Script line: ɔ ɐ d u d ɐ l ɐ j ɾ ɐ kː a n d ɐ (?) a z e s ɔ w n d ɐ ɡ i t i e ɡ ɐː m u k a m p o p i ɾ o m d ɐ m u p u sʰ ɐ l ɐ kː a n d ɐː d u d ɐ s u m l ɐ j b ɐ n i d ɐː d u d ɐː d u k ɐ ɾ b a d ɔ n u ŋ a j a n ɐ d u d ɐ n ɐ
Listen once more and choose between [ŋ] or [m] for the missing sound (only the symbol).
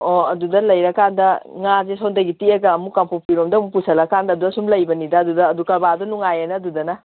ŋ